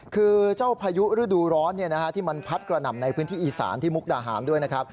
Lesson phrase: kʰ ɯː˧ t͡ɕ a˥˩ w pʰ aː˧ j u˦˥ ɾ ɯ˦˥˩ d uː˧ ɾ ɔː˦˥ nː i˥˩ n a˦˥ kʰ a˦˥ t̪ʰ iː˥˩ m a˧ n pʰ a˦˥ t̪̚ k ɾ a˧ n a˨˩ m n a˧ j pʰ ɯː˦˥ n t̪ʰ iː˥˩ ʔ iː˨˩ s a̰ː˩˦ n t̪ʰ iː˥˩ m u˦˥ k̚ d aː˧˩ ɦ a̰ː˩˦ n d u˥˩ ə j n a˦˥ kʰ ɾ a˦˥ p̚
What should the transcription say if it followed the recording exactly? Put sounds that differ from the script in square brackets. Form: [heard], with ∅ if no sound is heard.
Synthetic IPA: kʰ ɯː˧ t͡ɕ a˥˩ w pʰ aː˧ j u˦˥ ɾ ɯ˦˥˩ d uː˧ ɾ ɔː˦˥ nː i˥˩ n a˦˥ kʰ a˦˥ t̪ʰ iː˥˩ m a˧ n pʰ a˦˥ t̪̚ k ɾ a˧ n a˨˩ m n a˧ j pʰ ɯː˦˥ n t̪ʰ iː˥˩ ʔ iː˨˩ s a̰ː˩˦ n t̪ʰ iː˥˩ m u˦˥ k̚ d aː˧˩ ɦ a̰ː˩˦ n d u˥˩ ə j n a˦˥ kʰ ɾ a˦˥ p̚